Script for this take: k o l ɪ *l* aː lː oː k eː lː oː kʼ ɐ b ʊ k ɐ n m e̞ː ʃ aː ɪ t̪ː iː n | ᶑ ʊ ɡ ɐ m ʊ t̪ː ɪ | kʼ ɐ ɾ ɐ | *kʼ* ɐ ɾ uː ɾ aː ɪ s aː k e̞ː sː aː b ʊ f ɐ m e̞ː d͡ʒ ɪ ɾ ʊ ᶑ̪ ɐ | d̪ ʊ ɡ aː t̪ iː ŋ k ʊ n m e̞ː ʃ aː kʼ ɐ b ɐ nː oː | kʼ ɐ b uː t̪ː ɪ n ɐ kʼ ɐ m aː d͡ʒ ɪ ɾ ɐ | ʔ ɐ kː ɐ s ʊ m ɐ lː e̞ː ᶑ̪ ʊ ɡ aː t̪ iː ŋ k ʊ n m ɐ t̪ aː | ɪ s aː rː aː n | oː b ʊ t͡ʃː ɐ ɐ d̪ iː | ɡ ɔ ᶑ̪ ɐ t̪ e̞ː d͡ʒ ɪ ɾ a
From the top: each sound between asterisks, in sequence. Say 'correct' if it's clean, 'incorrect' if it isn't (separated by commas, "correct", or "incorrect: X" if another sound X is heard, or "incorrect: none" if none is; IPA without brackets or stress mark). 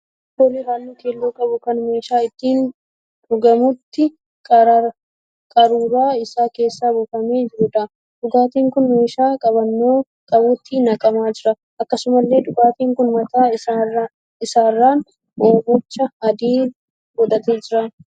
incorrect: ɾ, correct